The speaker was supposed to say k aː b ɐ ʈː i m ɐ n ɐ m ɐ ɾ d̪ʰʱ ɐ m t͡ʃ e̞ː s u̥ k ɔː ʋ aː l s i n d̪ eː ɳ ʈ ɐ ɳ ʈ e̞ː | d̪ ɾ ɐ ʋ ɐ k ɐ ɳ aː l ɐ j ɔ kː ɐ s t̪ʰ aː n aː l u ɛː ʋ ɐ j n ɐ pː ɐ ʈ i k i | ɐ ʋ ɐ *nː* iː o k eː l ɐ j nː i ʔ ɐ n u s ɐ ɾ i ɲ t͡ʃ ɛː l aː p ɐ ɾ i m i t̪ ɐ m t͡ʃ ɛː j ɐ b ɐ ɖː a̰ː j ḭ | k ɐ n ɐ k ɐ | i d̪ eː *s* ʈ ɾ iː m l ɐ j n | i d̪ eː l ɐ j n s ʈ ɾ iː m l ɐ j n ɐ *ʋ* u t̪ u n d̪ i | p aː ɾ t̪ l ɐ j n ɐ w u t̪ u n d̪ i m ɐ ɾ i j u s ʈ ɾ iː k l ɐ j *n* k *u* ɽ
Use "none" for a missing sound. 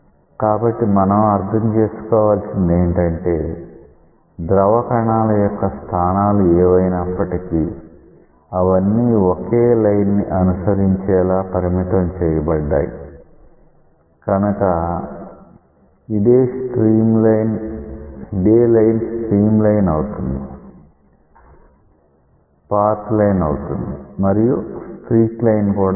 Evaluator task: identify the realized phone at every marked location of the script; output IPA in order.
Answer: nː, s, w, n, uː

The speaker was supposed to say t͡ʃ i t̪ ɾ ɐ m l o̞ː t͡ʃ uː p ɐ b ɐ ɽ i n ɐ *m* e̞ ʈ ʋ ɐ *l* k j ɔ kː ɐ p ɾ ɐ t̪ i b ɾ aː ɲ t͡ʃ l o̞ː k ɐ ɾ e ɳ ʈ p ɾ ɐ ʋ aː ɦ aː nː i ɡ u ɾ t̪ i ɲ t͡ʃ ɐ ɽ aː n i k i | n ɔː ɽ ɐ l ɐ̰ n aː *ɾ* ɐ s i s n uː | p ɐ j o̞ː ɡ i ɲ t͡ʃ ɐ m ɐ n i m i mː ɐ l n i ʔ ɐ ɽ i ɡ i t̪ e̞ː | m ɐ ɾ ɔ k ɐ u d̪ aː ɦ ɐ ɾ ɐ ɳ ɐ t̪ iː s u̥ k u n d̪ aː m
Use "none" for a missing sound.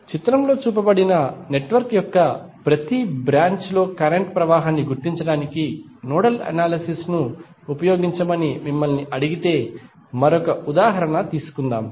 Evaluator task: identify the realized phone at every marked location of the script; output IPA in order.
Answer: n, ɾ, l

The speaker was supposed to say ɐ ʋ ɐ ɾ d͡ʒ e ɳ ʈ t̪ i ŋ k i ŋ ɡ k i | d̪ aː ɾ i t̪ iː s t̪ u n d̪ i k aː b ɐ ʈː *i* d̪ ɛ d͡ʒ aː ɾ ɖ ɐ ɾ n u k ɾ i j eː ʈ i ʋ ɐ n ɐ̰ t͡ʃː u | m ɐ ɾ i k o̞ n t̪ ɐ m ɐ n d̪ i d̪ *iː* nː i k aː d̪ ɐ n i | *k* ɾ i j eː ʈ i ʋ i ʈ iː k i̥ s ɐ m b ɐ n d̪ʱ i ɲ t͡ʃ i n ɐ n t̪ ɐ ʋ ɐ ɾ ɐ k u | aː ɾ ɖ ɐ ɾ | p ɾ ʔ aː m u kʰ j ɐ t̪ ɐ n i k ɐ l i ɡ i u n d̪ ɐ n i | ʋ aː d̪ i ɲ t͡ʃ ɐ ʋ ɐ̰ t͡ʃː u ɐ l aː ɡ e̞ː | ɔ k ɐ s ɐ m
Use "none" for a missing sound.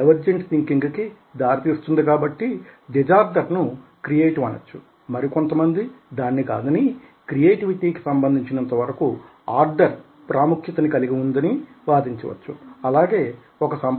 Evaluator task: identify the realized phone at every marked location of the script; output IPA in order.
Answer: i, aː, k

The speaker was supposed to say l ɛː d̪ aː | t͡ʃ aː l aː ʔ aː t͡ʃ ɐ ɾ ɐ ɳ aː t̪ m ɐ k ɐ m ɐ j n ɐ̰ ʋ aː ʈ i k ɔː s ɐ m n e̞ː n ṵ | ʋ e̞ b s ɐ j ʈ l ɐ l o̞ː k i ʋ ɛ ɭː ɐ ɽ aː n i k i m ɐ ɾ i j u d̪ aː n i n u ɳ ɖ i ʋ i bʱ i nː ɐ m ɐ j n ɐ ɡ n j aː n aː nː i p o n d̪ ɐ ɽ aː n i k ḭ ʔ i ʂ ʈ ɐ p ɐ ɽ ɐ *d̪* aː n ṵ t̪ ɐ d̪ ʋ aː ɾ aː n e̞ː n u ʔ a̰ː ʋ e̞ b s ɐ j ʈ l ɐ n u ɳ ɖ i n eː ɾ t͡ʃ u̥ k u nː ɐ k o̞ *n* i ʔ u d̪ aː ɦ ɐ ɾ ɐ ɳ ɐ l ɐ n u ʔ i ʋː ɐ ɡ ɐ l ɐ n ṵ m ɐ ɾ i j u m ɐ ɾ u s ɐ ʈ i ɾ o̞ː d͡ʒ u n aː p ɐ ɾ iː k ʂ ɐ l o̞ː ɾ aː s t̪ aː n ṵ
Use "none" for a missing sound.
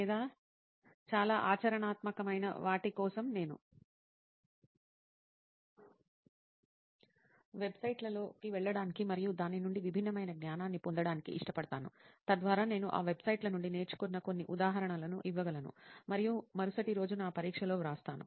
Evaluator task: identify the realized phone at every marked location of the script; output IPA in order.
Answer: t̪, nː

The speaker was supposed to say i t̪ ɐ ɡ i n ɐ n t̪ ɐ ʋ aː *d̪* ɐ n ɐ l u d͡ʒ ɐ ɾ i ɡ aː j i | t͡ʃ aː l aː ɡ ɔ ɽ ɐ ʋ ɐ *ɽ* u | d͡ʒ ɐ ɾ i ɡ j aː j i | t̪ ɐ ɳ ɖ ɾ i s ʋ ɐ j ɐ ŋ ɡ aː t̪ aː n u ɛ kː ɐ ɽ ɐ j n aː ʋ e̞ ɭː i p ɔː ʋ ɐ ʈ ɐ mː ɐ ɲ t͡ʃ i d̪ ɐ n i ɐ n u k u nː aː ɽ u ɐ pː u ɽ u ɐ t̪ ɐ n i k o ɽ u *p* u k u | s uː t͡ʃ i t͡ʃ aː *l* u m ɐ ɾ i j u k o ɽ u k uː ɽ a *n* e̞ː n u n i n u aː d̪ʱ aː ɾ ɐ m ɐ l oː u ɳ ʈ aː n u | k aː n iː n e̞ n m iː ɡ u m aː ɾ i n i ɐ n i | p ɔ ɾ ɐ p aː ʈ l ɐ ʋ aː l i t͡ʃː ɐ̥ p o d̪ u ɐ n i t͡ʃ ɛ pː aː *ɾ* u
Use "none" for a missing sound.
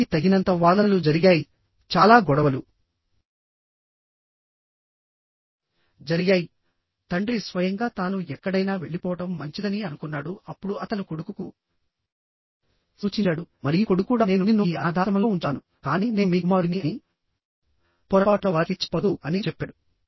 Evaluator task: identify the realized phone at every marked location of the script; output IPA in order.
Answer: d̪, l, k, ɽ, n, ɽ

